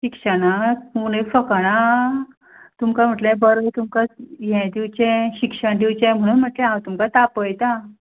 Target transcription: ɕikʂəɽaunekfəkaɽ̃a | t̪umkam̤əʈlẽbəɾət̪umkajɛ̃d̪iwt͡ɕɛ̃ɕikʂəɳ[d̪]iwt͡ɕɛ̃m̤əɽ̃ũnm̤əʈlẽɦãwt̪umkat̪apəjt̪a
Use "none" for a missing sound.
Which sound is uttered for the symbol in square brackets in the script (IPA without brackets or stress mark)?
d̪